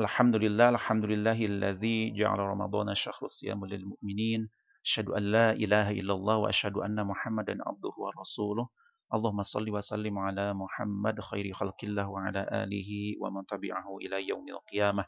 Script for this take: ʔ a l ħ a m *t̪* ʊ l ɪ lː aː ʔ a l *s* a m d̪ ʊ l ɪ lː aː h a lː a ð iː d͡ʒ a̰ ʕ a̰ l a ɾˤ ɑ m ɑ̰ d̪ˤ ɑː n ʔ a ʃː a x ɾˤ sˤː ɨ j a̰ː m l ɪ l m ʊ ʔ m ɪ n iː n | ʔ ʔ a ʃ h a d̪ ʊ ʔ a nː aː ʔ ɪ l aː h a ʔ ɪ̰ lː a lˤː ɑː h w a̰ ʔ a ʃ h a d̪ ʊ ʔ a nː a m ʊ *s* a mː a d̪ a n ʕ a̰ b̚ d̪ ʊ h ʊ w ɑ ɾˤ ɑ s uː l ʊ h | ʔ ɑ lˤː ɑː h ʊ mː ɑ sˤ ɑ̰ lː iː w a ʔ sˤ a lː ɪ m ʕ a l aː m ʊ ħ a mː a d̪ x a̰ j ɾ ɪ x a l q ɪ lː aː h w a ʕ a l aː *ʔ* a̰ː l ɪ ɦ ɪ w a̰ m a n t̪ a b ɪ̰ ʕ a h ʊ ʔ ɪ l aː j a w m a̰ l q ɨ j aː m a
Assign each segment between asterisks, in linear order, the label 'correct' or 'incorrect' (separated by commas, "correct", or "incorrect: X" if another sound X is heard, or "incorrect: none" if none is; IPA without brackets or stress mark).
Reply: incorrect: d̪, incorrect: ħ, incorrect: ħ, correct